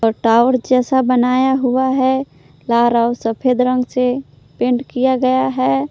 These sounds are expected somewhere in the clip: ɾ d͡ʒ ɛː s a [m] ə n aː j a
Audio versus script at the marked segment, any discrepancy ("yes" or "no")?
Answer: yes